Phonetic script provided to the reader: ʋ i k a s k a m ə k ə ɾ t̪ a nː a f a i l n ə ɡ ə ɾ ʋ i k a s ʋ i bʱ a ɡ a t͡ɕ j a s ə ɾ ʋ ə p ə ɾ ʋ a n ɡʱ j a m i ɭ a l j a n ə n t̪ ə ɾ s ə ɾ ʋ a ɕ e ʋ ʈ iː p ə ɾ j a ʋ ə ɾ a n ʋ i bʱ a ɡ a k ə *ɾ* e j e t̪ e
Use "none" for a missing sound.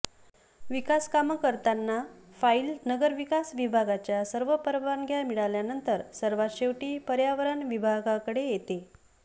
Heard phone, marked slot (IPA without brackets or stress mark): ɽ